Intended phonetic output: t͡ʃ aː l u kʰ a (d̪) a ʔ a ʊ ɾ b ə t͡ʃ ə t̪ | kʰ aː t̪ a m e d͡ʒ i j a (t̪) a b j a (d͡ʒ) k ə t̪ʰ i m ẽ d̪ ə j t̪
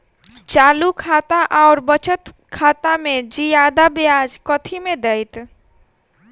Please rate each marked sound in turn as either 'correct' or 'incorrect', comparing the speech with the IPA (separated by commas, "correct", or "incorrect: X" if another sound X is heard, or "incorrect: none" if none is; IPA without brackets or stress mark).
incorrect: t̪, incorrect: d̪, correct